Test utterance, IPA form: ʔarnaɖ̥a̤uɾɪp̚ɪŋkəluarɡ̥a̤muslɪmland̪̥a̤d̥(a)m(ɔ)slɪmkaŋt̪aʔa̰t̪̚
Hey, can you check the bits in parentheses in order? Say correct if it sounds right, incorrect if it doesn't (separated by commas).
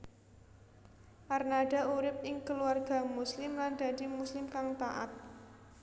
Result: incorrect, incorrect